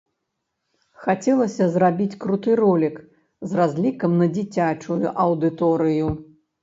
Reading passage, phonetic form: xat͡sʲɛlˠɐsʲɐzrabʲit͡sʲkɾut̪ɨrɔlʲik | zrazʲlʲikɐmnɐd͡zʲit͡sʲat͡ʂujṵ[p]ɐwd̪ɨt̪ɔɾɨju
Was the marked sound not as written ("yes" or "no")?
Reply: yes